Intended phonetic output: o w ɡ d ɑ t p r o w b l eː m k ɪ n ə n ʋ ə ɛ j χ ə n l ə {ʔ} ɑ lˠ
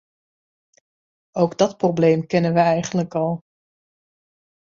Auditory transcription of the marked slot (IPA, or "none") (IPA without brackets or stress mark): k